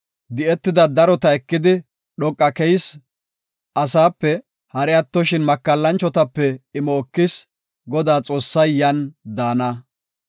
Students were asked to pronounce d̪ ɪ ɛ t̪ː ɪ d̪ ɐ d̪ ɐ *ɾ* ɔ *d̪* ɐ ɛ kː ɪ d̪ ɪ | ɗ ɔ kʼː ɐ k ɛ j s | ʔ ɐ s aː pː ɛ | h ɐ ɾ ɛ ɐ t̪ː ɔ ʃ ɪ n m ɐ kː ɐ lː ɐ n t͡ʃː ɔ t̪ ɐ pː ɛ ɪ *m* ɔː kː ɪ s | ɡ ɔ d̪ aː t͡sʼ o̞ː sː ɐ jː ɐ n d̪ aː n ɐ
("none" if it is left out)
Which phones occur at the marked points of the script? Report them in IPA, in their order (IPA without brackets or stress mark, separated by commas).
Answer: ɾ, t̪, m